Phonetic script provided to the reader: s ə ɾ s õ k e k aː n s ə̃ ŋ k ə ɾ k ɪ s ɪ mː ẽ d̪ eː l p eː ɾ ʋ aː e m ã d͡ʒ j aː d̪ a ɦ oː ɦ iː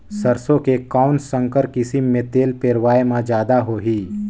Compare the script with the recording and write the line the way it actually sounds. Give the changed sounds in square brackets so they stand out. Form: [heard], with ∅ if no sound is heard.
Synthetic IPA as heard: s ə ɾ s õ k e k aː n s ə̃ ŋ k ə ɾ k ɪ s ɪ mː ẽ [t̪] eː l p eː ɾ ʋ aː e m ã d͡ʒ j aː d̪ a ɦ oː ɦ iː